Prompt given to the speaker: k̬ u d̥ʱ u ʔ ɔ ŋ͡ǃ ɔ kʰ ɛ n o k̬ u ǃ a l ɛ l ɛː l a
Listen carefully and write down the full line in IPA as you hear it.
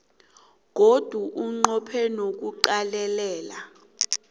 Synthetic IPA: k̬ o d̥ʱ u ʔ u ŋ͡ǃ ɔ pʰ ɛ n o k̬ u ǃ a l ɛ l ɛː l a